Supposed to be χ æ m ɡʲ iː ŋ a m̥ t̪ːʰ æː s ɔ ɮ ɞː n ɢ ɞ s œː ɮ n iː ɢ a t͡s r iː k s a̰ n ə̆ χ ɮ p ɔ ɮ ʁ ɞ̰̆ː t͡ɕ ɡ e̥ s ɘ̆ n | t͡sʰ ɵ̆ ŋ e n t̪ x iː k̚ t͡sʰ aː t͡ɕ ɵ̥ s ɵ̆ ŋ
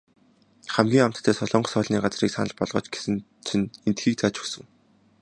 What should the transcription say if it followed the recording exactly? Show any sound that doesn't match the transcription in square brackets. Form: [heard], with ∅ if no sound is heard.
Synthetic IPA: χ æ m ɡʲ iː ŋ a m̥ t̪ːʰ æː s ɔ ɮ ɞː [ɴ] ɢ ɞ s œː ɮ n iː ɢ a t͡s r iː k s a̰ n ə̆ [∅] ɮ p ɔ ɮ ʁ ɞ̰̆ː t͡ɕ ɡ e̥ s ɘ̆ n | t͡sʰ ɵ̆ [n] e n t̪ x iː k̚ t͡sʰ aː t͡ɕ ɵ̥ s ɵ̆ ŋ